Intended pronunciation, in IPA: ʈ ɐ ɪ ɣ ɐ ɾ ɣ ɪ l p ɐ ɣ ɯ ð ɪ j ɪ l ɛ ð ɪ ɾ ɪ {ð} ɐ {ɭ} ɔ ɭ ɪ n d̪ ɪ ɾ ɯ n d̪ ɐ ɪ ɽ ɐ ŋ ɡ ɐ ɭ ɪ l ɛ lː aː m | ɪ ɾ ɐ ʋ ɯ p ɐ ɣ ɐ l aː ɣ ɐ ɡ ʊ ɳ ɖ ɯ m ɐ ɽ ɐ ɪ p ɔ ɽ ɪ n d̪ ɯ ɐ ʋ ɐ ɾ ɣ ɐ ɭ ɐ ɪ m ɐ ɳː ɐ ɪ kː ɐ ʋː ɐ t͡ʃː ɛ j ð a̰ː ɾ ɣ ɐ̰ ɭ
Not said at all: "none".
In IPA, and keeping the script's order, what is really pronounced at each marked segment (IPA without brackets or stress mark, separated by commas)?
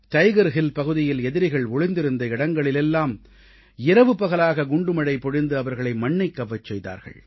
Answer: ɣ, ɭ